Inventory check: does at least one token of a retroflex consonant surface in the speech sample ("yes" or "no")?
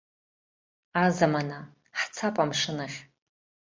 yes